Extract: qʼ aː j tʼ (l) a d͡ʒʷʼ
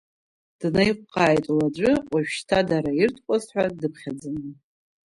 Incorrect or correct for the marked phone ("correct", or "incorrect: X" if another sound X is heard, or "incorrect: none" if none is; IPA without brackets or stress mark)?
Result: correct